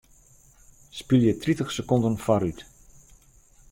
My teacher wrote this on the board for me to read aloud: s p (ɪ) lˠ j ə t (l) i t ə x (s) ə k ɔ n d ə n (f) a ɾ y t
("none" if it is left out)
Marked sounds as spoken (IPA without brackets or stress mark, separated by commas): i, r, s, f